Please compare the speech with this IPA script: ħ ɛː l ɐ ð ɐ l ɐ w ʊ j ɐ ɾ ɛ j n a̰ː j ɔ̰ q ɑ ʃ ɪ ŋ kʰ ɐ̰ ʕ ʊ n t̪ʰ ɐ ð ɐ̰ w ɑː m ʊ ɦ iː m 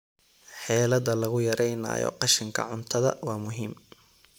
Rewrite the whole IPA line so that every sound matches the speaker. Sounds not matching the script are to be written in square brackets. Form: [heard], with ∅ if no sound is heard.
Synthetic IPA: ħ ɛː l ɐ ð ɐ l ɐ [ɣ] ʊ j ɐ ɾ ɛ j n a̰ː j ɔ̰ q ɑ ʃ ɪ ŋ kʰ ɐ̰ ʕ ʊ n t̪ʰ ɐ ð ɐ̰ w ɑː m ʊ ɦ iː m